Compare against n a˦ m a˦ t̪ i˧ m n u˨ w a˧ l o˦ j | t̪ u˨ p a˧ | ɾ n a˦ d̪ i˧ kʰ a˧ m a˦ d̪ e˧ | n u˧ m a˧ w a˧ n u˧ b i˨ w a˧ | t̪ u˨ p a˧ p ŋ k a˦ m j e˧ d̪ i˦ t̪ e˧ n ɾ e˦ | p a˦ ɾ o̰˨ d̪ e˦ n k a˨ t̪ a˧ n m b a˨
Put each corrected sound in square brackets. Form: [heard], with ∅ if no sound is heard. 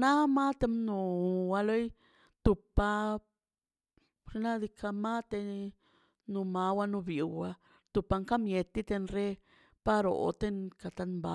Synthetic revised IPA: n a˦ m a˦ t̪ [e˧] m n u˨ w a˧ l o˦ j | t̪ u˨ p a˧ | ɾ n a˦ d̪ i˧ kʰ a˧ m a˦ [t̪] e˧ | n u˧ m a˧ w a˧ n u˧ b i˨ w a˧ | t̪ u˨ p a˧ [∅] ŋ k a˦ m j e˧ [t̪] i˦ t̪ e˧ n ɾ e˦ | p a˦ ɾ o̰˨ [t̪] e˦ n k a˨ t̪ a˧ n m b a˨